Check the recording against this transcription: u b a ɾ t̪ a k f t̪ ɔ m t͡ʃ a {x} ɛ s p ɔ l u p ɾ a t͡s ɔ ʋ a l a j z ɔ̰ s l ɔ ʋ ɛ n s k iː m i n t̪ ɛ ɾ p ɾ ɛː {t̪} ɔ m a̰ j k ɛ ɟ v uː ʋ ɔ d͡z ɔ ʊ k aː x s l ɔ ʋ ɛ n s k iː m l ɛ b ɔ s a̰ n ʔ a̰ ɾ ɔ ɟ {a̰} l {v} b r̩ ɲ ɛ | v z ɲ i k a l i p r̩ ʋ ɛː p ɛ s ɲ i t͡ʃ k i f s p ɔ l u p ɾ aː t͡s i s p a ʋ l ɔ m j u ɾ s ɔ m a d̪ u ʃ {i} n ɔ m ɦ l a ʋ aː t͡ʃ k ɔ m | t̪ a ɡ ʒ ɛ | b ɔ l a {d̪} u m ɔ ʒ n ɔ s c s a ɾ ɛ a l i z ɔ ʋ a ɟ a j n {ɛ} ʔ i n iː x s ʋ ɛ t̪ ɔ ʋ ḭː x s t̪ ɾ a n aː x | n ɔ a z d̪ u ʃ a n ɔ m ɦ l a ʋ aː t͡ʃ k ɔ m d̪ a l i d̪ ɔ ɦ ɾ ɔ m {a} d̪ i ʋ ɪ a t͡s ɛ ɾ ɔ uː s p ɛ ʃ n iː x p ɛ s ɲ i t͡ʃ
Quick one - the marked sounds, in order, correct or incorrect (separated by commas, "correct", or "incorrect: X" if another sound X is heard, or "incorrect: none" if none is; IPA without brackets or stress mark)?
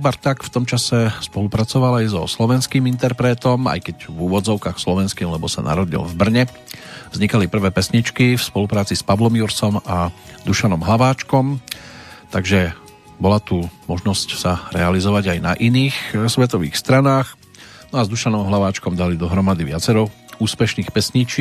incorrect: s, correct, incorrect: ḭ, correct, incorrect: a, incorrect: t̪, incorrect: a, correct